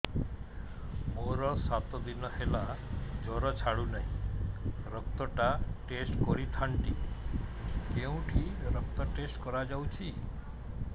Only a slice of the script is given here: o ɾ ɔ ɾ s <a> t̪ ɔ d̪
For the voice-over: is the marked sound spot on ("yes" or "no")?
yes